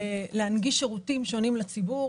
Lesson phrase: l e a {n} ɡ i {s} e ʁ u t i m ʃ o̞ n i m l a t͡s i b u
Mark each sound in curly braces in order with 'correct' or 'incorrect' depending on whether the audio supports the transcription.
correct, incorrect: ʃ

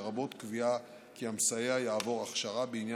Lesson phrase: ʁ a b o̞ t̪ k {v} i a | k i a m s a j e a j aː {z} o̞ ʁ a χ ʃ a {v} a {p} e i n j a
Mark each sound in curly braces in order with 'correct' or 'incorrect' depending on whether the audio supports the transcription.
correct, incorrect: v, incorrect: ʁ, incorrect: b

